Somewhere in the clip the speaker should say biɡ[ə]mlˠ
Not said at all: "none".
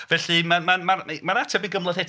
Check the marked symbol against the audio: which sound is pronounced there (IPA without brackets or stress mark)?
ə